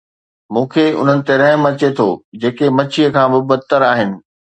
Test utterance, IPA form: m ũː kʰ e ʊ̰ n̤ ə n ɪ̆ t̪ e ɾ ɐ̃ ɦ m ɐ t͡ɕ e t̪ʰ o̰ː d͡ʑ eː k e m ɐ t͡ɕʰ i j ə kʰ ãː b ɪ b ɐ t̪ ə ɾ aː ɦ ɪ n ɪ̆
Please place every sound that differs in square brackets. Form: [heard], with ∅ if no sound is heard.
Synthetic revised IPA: m ũː kʰ e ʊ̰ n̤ ə n ɪ̆ t̪ e ɾ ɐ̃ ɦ m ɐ t͡ɕ e t̪ʰ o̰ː d͡ʑ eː k e m ɐ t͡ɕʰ i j ə kʰ ãː b ɪ b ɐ t̪ ə ɾ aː ɦ ɪ n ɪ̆